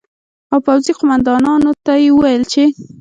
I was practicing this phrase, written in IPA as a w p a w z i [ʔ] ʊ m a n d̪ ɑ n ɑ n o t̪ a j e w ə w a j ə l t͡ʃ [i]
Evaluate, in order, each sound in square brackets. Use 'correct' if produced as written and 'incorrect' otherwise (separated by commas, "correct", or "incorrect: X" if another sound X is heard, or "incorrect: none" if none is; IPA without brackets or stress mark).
incorrect: q, incorrect: e